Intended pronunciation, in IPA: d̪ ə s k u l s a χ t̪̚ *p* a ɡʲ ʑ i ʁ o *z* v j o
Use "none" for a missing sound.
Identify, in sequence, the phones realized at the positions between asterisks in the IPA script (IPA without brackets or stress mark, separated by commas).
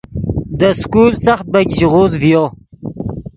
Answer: b, z